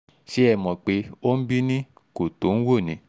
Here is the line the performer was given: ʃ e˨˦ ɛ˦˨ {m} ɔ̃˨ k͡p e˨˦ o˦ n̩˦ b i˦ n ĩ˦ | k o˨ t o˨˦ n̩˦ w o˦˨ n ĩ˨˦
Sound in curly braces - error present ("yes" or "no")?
no